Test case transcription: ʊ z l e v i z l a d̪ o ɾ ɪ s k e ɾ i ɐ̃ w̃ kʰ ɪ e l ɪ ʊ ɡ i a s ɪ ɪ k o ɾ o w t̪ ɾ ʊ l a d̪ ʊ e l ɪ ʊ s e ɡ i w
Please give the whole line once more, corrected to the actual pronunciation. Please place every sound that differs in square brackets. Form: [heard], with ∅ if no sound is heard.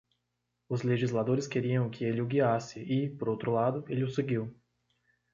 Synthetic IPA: ʊ z l e [ʒ] i z l a d̪ o ɾ ɪ s k e ɾ i ɐ̃ w̃ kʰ ɪ e l ɪ ʊ ɡ i a s ɪ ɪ [p] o ɾ o w t̪ ɾ ʊ l a d̪ ʊ e l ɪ ʊ s e ɡ i w